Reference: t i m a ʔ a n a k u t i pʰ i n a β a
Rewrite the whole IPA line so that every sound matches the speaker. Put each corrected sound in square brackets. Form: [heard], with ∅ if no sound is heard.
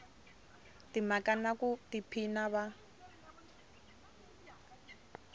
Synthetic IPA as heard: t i m a [k] a n a k u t i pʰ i n a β a